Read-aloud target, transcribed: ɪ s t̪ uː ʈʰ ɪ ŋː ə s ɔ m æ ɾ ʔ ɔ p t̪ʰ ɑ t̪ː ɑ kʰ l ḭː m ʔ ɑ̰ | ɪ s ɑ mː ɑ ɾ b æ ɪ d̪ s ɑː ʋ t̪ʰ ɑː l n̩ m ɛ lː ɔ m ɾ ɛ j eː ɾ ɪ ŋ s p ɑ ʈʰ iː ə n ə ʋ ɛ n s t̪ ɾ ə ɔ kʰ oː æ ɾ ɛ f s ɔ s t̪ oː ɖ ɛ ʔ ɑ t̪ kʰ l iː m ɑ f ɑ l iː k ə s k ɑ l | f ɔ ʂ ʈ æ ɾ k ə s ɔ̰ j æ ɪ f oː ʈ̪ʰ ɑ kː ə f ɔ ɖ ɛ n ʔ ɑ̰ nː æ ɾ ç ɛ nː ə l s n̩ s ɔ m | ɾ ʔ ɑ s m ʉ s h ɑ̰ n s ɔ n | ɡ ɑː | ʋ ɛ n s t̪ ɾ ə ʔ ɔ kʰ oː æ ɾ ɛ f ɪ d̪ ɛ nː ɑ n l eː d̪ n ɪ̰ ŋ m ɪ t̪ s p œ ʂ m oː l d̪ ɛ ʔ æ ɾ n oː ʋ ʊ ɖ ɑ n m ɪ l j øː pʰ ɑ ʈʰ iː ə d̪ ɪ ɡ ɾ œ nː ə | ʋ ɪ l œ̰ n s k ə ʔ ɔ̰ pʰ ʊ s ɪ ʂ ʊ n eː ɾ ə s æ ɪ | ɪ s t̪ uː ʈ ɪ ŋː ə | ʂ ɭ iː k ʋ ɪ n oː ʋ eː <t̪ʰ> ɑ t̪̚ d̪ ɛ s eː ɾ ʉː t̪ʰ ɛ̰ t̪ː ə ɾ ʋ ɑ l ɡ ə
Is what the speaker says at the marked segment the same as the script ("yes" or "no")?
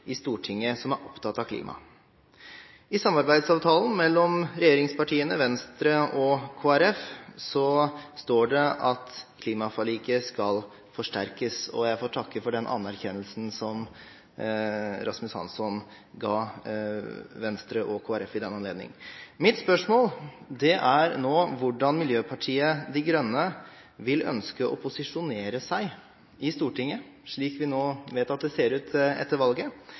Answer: no